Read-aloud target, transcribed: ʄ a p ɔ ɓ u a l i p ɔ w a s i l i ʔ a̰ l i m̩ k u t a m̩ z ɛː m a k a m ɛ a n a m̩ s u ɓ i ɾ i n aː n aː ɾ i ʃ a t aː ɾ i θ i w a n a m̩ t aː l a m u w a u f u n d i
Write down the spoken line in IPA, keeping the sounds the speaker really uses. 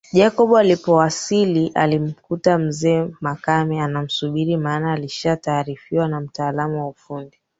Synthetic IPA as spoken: ʄ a k ɔ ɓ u a l i p ɔ w a s i l i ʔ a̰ l i m̩ k u t a m̩ z ɛː m a k a m ɛ a n a m̩ s u ɓ i ɾ i m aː n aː l i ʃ a t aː ɾ i f i w a n a m̩ t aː l a m u w a u f u n d i